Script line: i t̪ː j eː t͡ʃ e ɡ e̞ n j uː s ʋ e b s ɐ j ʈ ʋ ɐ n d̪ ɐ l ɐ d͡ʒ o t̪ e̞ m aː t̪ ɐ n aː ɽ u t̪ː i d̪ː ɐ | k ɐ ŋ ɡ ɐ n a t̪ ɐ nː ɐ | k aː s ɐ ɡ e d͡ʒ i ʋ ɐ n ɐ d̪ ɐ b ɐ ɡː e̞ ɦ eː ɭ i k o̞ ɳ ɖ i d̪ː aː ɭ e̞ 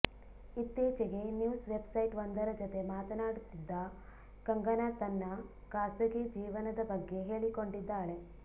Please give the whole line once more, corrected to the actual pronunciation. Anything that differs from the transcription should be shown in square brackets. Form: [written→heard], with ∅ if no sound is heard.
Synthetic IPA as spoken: i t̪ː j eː t͡ʃ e ɡ e̞ n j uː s ʋ e b s ɐ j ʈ ʋ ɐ n d̪ ɐ [l→ɾ] ɐ d͡ʒ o t̪ e̞ m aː t̪ ɐ n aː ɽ u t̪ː i d̪ː ɐ | k ɐ ŋ ɡ ɐ n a t̪ ɐ nː ɐ | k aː s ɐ ɡ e d͡ʒ [i→iː] ʋ ɐ n ɐ d̪ ɐ b ɐ ɡː e̞ ɦ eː ɭ i k o̞ ɳ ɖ i d̪ː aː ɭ e̞